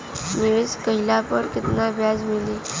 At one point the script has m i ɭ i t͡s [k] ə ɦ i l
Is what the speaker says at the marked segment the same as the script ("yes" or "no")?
yes